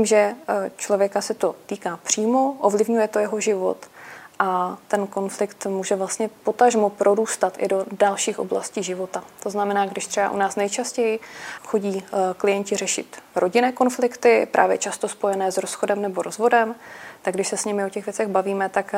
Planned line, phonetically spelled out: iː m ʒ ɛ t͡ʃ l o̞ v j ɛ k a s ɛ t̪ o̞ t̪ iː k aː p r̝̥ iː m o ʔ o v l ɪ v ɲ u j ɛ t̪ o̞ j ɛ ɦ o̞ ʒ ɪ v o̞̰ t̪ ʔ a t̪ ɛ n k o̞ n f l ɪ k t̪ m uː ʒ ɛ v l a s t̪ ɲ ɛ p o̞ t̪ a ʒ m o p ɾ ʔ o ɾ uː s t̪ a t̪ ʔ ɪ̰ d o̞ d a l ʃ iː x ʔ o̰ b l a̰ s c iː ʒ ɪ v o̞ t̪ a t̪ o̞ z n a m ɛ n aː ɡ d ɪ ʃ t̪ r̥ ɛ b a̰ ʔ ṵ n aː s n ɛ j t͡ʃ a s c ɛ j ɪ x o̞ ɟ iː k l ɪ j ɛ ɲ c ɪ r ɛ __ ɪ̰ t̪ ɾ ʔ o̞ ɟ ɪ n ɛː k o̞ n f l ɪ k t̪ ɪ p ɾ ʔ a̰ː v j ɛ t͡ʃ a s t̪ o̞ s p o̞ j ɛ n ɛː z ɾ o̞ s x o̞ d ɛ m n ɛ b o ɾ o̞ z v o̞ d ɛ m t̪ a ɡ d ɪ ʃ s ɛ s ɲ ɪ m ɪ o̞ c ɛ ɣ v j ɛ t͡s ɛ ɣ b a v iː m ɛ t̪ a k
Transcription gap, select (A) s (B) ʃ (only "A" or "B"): B